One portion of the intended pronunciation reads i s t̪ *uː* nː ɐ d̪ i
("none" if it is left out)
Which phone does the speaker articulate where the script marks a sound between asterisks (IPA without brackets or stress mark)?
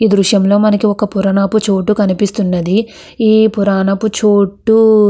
u